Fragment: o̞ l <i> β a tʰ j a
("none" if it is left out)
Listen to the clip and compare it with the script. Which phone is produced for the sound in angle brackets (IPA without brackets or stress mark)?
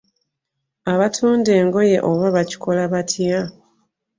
a